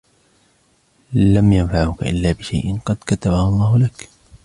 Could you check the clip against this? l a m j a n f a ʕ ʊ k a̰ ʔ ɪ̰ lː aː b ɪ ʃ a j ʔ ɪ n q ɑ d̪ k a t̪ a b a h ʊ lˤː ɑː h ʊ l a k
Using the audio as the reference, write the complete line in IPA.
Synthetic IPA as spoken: l a m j a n f a ʕ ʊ k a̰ ʔ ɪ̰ lː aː b ɪ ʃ a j ʔ ɪ n q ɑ d̪ k a t̪ a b a h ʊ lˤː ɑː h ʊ l a k

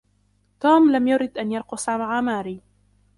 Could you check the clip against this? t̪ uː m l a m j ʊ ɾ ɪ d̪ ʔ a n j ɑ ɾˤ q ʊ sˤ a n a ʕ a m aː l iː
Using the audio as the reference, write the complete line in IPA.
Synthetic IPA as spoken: t̪ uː m l a m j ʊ ɾ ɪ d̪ ʔ a n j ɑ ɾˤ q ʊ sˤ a m a ʕ a m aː ɾ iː

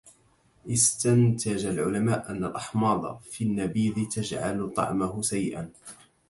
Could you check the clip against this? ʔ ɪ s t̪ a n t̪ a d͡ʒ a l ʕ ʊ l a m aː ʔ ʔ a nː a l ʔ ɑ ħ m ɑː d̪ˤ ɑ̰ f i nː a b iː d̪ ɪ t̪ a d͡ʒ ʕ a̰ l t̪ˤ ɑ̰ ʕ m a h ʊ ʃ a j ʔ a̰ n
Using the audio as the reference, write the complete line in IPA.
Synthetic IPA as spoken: ʔ ɪ s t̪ a n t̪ a d͡ʒ a l ʕ ʊ l a m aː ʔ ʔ a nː a l ʔ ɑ ħ m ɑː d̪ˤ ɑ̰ f i nː a b iː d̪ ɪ t̪ a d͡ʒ ʕ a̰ l t̪ˤ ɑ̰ ʕ m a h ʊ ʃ a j ʔ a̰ n

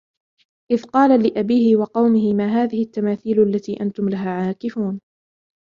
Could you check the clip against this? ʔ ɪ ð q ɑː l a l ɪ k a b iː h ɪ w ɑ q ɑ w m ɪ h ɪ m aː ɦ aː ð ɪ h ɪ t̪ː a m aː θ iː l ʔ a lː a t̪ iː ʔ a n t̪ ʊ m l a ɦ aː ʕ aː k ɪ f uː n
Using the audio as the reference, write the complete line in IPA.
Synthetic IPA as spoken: ʔ ɪ ð q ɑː l a l ɪ ʔ a b iː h ɪ w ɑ q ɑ w m ɪ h ɪ m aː ɦ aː ð ɪ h ɪ t̪ː a m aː θ iː l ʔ a lː a t̪ iː ʔ a n t̪ ʊ m l a ɦ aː ʕ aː k ɪ f uː n

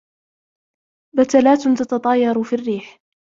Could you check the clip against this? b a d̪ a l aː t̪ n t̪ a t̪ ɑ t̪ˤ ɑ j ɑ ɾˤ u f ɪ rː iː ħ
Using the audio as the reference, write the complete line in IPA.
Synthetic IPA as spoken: b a t̪ a l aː t̪ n t̪ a t̪ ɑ t̪ˤ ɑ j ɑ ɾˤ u f i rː iː ħ

